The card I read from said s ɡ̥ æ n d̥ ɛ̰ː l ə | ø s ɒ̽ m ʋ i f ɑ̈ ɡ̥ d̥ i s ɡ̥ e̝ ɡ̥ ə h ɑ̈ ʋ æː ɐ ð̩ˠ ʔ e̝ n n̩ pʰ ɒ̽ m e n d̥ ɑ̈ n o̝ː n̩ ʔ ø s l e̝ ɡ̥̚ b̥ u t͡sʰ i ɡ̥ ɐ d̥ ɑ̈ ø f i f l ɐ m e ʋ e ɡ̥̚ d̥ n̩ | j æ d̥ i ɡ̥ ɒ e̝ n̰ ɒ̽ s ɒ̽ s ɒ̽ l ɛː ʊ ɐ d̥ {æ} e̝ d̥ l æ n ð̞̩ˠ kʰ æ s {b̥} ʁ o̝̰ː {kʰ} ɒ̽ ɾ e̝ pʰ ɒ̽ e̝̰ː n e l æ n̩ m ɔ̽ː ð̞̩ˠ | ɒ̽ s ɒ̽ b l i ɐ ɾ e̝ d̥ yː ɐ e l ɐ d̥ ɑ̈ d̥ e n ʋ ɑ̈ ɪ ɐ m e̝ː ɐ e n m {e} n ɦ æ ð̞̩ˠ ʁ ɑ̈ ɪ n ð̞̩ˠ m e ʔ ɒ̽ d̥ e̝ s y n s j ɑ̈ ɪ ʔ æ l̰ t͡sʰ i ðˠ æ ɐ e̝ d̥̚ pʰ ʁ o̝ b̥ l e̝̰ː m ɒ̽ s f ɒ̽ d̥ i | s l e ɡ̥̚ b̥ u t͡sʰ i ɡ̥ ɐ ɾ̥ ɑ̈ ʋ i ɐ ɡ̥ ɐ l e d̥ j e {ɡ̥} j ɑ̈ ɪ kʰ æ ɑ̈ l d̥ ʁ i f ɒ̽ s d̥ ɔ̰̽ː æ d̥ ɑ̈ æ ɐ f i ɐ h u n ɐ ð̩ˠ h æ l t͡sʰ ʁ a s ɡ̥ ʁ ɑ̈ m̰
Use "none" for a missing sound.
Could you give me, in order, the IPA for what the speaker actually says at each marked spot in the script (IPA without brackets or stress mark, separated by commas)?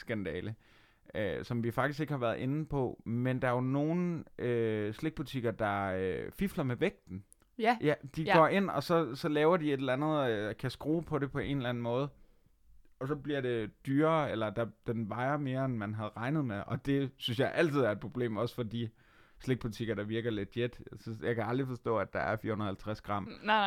i, ɡ̥, pʰ, æ, d̥